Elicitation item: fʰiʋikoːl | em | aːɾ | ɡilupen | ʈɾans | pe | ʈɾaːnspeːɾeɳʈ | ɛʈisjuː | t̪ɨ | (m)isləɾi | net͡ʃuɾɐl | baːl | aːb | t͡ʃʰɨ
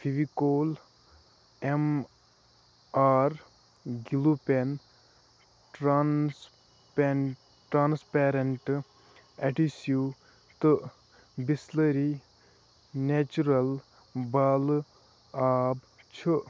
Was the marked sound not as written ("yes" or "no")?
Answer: yes